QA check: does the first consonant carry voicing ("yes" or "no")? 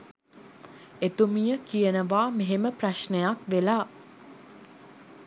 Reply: no